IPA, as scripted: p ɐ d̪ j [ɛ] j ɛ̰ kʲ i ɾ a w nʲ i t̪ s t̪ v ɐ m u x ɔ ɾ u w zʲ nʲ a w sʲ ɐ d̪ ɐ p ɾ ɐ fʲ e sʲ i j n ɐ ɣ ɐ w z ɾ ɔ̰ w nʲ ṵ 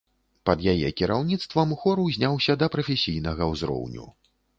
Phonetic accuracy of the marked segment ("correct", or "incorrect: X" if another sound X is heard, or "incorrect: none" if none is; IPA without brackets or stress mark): incorrect: a